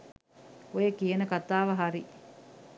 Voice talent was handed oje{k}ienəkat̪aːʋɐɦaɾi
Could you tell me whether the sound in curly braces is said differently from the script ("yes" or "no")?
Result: no